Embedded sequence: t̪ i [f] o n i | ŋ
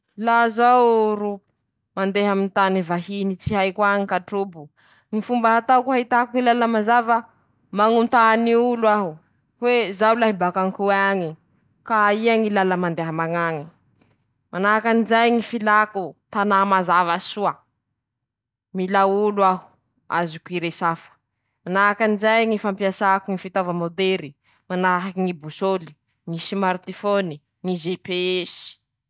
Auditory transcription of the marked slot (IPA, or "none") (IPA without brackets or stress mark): f